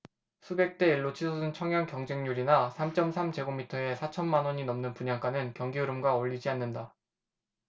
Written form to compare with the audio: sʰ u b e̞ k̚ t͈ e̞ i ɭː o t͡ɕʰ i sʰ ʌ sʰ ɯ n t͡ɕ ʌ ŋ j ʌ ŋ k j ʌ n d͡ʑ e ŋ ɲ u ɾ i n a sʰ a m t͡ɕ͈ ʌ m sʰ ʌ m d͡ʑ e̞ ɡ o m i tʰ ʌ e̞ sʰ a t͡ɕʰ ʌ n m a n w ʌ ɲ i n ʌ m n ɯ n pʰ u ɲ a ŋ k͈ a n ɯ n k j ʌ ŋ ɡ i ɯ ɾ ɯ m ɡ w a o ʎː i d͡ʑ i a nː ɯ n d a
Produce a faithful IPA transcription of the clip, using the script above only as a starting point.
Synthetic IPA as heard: sʰ u b e̞ k̚ t͈ e̞ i ɭː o t͡ɕʰ i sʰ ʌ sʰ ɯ n t͡ɕʰ ʌ ŋ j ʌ ŋ k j ʌ ŋ d͡ʑ e ŋ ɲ u ɾ i n a sʰ a m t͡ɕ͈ ʌ m sʰ a m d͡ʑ e̞ ɡ o m i tʰ ʌ e̞ sʰ a t͡ɕʰ ʌ n m a n w ʌ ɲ i n ʌ m n ɯ n p u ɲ a ŋ k͈ a n ɯ n k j ʌ ŋ ɡ i ɯ ɾ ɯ m ɡ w a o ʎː i d͡ʑ i a nː ɯ n d a

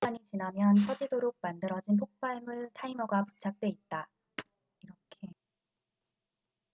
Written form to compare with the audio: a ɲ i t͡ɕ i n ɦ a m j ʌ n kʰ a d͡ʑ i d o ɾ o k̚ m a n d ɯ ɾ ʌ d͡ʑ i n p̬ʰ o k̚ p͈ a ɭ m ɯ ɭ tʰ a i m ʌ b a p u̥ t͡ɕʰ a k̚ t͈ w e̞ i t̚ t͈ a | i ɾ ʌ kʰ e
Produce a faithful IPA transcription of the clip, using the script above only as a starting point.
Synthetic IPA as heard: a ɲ i t͡ɕ i n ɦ a m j ʌ n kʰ ʌ d͡ʑ i d o ɾ o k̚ m a n d ɯ ɾ ʌ d͡ʑ i n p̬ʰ o k̚ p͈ a ɭ m ɯ ɭ tʰ a i m ʌ ɡ a p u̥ t͡ɕʰ a k̚ t͈ w e̞ i t̚ t͈ a | i ɾ ʌ kʰ e

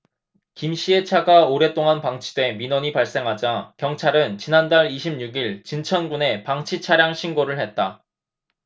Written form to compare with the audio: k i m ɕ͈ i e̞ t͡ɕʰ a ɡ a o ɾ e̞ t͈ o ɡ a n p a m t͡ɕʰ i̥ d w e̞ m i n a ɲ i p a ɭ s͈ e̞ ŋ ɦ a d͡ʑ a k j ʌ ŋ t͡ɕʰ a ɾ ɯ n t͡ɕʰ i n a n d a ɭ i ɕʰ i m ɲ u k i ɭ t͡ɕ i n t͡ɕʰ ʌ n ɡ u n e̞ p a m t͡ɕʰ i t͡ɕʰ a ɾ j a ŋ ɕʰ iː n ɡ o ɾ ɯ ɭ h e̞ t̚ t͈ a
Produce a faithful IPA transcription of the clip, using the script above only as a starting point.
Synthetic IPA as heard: k i m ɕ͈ i e̞ t͡ɕʰ a ɡ a o ɾ e̞ t͈ o ŋ a n p a ŋ t͡ɕʰ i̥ d w e̞ m i n ʌ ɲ i p a ɭ s͈ e̞ ŋ ɦ a d͡ʑ a k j ʌ ŋ t͡ɕʰ a ɾ ɯ n t͡ɕ i n a n d a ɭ i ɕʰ i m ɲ u ɡ i ɭ t͡ɕ i n t͡ɕʰ ʌ n ɡ u n e̞ p a ŋ t͡ɕʰ i t͡ɕʰ a ɾ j a ŋ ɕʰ i n ɡ o ɾ ɯ ɭ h e̞ t̚ t͈ a

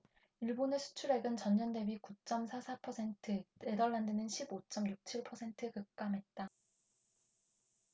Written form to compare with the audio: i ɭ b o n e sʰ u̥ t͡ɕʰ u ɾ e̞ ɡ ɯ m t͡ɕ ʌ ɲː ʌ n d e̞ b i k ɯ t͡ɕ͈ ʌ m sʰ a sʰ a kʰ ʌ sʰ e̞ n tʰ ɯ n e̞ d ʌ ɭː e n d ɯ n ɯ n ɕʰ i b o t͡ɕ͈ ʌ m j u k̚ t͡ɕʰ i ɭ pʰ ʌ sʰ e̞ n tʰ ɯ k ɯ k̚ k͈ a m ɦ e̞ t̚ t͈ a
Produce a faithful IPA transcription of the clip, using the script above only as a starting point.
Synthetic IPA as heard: i ɭ b o n e sʰ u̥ t͡ɕʰ u ɾ e̞ ɡ ɯ n t͡ɕ ʌ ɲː ʌ n d e̞ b i k u t͡ɕ͈ ʌ m sʰ a sʰ a pʰ ʌ sʰ e̞ n tʰ ɯ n e̞ d ʌ ɭː a n d ɯ n ɯ n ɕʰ i b o t͡ɕ͈ ʌ m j u k̚ t͡ɕʰ i ɭ pʰ ʌ sʰ e̞ n tʰ ɯ k ɯ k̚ k͈ a m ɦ e̞ t̚ t͈ a

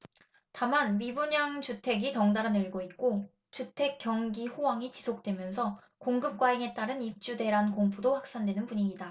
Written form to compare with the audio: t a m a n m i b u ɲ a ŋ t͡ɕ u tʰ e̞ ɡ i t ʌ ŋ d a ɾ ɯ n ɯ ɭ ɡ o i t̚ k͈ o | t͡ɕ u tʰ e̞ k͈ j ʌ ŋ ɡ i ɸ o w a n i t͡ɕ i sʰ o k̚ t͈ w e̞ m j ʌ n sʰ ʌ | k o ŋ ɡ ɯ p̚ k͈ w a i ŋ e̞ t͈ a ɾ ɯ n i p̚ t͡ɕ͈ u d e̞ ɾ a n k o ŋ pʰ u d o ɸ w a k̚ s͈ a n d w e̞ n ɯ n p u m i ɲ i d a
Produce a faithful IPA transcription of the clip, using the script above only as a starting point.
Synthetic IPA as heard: t a m a n m i b u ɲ a ŋ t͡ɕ u tʰ e̞ ɡ i t ʌ ŋ d a ɾ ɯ n ɯ ɭ ɡ o i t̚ k͈ o | t͡ɕ u tʰ e̞ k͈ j ʌ ŋ ɡ i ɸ o w a ŋ i t͡ɕ i sʰ o k̚ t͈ w e̞ m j ʌ n sʰ ʌ | k o ŋ ɡ ɯ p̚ k͈ w a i ŋ e̞ t͈ a ɾ ɯ n i p̚ t͡ɕ͈ u d e̞ ɾ a n k o ŋ pʰ u d o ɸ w a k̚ s͈ a n d w e̞ n ɯ n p u ɲ i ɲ i d a

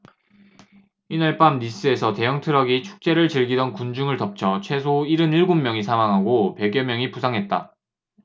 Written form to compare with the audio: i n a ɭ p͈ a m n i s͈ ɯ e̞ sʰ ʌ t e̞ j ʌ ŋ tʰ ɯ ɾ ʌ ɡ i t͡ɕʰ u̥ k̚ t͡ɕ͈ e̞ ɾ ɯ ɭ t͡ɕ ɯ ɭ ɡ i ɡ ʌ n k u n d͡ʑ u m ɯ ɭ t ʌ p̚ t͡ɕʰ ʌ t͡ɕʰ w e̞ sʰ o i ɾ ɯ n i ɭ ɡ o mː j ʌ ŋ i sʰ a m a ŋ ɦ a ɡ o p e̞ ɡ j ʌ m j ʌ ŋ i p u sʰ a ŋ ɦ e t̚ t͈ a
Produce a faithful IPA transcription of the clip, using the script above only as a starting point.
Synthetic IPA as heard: i n a ɭ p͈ a m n i s͈ ɯ e̞ sʰ ʌ t e̞ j ʌ ŋ tʰ ɯ ɾ ʌ ɡ i t͡ɕʰ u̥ k̚ t͡ɕ͈ e̞ ɾ ɯ ɭ t͡ɕ ɯ ɭ ɡ i d ʌ n k u n d͡ʑ u ŋ ɯ ɭ t ʌ p̚ t͡ɕʰ ʌ t͡ɕʰ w e̞ sʰ o i ɾ ɯ n i ɭ ɡ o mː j ʌ ŋ i sʰ a m a ŋ ɦ a ɡ o p e̞ ɡ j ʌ m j ʌ ŋ i p u sʰ a ŋ ɦ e t̚ t͈ a

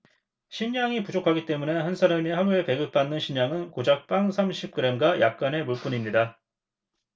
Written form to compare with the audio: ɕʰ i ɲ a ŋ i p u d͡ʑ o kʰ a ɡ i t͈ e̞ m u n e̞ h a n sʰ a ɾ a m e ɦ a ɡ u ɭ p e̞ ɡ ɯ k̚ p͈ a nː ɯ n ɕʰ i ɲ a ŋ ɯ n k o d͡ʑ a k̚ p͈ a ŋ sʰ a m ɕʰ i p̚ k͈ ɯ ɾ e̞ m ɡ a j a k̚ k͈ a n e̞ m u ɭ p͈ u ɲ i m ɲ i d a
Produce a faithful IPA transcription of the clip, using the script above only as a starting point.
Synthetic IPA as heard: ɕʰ i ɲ a ŋ i p u d͡ʑ o kʰ a ɡ i t͈ e̞ m u n e̞ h a n sʰ a ɾ a m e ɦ a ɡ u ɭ p e̞ ɡ ɯ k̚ p͈ a nː ɯ n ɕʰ i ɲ a ŋ ɯ n k o d͡ʑ a k̚ p͈ a ŋ sʰ a m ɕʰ i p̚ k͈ ɯ ɾ e̞ m ɡ a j a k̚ k͈ a n e̞ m u ɭ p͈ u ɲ i m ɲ i d a

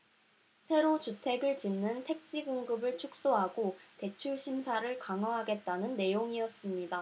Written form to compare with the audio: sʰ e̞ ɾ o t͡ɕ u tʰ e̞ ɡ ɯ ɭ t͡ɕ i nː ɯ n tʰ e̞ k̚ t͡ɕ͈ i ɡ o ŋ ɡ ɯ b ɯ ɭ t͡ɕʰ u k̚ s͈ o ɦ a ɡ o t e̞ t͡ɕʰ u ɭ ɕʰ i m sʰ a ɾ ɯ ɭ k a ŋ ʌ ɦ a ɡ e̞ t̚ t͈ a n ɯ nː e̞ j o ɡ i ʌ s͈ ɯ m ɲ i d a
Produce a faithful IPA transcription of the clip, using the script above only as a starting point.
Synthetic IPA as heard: sʰ e̞ ɾ o t͡ɕ u tʰ e̞ ɡ ɯ ɭ t͡ɕ i nː ɯ n tʰ e̞ k̚ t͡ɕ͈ i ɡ o ŋ ɡ ɯ b ɯ ɭ t͡ɕʰ u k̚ s͈ o ɦ a ɡ o t e̞ t͡ɕʰ u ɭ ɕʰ i m sʰ a ɾ ɯ ɭ k a ŋ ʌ ɦ a ɡ e̞ t̚ t͈ a n ɯ nː e̞ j o ŋ i ʌ s͈ ɯ m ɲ i d a

